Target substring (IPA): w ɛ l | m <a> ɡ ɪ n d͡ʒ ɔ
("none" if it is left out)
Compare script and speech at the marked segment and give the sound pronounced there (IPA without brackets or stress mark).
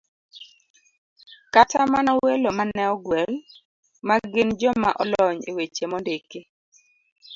a